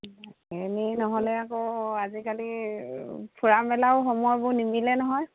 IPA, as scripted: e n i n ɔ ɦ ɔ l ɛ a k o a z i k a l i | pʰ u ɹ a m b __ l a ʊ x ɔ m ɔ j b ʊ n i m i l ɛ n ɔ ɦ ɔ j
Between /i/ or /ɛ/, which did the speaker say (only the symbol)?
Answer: ɛ